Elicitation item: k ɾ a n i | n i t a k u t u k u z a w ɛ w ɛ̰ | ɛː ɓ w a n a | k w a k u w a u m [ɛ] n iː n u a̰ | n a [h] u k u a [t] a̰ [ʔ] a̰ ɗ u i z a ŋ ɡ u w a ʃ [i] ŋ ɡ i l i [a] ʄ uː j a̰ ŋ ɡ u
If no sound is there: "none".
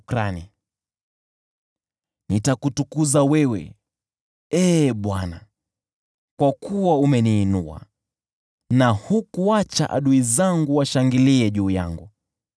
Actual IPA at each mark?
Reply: ɛ, h, t͡ʃ, ʔ, a, ɛ

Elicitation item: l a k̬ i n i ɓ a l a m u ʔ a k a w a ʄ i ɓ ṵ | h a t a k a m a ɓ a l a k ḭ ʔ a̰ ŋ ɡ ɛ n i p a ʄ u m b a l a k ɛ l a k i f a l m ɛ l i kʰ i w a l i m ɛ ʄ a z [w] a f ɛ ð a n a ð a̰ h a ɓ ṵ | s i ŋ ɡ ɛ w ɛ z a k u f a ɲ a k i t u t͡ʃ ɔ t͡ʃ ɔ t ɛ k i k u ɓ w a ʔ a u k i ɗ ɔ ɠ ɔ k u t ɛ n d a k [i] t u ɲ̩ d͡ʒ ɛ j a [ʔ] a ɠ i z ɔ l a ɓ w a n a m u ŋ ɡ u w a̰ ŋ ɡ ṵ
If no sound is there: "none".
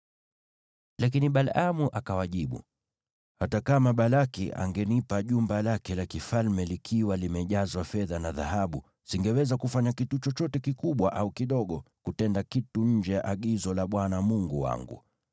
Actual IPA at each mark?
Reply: w, i, ʔ

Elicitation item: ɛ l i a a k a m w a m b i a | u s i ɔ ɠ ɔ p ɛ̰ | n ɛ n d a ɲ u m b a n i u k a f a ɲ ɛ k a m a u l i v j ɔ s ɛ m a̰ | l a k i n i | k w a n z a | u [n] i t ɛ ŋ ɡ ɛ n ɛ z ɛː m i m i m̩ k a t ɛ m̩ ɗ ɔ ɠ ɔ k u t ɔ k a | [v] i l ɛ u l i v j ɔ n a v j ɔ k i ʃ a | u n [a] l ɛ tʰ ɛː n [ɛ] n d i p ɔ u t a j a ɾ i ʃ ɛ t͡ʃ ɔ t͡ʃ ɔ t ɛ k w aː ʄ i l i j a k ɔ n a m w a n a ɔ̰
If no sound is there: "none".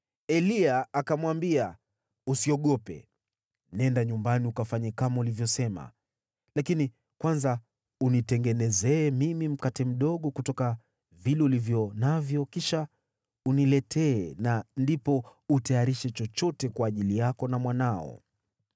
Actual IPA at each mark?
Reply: n, v, i, a

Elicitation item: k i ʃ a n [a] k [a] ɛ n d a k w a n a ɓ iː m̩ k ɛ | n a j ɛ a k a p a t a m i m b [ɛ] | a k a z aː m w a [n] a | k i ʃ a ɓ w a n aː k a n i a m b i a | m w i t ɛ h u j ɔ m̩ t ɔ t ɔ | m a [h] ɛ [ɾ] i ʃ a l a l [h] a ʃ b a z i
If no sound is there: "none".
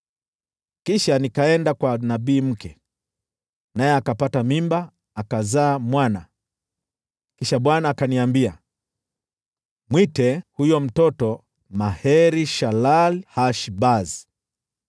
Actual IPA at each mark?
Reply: i, a, a, n, h, ɾ, h

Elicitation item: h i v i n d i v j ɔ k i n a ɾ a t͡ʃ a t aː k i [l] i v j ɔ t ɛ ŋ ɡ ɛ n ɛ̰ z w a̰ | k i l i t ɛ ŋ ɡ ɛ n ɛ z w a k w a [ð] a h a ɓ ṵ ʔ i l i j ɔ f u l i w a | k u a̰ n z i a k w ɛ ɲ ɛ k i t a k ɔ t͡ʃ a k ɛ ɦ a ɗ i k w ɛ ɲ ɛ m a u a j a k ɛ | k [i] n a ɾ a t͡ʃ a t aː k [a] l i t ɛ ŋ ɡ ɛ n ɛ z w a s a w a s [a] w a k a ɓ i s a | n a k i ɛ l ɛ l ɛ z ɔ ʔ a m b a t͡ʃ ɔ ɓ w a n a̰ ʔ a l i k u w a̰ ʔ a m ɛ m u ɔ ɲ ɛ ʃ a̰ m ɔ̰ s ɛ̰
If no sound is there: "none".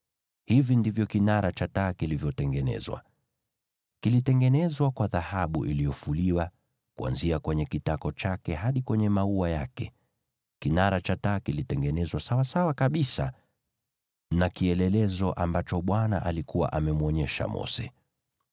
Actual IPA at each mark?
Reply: l, ð, i, i, a

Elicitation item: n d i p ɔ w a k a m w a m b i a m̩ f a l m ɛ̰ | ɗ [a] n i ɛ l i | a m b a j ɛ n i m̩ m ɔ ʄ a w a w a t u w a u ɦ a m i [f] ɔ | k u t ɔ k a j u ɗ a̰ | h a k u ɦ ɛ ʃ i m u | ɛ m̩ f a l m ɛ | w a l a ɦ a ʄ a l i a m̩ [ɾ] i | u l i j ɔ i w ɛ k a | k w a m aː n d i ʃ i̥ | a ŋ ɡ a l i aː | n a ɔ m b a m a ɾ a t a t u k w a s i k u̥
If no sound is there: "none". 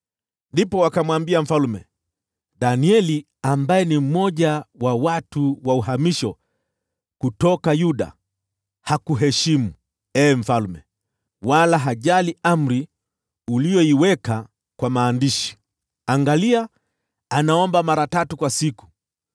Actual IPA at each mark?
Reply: a, ʃ, ɾ

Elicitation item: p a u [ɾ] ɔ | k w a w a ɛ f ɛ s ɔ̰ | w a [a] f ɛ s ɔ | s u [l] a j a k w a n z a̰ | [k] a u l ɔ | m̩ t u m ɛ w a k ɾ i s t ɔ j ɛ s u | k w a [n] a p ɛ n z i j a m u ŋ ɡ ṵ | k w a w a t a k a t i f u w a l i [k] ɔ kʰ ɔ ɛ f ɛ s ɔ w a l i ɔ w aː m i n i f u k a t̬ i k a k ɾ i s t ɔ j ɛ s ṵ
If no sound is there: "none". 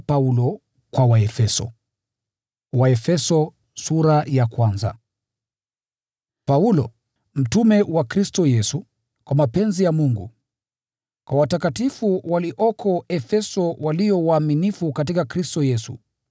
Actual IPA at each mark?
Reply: l, ɛ, ɾ, p, m, ʔ

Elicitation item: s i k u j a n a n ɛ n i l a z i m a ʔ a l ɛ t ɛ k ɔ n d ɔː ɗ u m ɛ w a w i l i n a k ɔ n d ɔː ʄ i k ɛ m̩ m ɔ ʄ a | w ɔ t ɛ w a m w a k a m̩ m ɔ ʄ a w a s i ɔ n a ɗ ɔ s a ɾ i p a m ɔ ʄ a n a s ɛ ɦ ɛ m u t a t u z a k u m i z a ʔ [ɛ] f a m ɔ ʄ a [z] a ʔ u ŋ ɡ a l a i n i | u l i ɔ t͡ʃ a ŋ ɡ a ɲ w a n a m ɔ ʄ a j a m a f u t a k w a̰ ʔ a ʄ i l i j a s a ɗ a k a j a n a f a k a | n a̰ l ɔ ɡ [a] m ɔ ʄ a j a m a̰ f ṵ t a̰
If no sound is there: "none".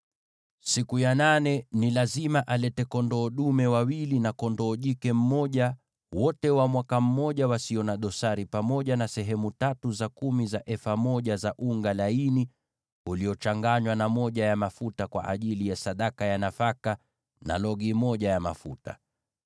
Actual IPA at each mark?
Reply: ɛ, z, i

